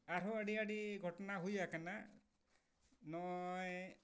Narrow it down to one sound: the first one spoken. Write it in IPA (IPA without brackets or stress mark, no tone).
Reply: a